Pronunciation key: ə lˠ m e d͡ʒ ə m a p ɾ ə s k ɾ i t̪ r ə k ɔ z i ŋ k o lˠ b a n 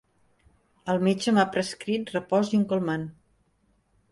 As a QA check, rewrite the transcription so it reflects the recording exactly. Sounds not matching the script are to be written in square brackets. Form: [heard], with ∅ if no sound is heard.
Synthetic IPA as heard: ə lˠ m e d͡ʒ ə m a p ɾ ə s k ɾ i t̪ r ə [p] ɔ z i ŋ k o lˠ [m] a n